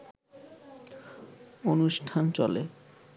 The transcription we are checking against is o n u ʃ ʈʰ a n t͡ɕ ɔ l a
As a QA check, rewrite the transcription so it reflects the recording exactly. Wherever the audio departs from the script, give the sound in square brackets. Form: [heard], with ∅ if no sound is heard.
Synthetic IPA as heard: o n u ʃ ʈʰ a n t͡ɕ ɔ l [e]